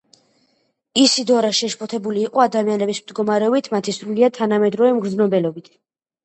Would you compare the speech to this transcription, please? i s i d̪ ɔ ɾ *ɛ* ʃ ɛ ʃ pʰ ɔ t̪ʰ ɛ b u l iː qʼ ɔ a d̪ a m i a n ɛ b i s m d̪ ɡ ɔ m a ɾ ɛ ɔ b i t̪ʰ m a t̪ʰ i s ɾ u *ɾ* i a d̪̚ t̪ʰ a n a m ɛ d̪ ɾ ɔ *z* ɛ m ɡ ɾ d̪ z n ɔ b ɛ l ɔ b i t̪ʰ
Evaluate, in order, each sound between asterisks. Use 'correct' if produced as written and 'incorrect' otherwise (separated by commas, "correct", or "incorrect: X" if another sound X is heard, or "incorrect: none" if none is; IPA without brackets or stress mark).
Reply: incorrect: a, incorrect: l, incorrect: v